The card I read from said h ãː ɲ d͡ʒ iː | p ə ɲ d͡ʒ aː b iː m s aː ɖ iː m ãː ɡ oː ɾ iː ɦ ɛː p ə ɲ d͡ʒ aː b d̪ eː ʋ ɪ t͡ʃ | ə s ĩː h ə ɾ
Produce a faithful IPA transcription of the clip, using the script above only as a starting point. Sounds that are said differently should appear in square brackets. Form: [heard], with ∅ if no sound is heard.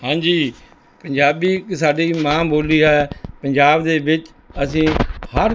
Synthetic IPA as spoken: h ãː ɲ d͡ʒ iː | p ə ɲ d͡ʒ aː b iː [∅] s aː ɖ iː m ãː [b] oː [l] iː ɦ ɛː p ə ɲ d͡ʒ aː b d̪ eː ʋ ɪ t͡ʃ | ə s ĩː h ə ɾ